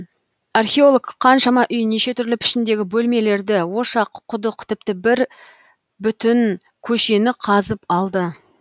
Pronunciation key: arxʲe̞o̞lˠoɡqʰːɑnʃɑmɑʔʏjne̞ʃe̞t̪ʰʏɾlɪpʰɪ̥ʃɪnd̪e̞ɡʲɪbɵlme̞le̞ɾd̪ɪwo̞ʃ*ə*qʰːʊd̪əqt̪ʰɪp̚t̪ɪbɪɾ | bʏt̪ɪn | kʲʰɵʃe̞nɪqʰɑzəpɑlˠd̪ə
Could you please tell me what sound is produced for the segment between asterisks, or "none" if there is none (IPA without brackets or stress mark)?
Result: ɑ